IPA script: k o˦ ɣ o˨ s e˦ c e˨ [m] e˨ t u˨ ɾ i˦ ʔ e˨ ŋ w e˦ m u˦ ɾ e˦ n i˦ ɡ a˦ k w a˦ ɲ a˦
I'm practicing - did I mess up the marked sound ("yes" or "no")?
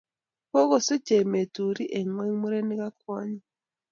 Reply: no